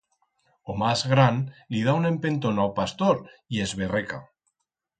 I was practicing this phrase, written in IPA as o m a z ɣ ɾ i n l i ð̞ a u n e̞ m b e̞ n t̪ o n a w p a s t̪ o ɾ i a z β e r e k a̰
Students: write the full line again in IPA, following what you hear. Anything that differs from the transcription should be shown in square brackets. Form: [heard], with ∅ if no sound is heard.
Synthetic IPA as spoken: o m a z ɣ ɾ [a] n l i ð̞ a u n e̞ m [p] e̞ n t̪ o n a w p a s t̪ o ɾ i [e] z β e r e k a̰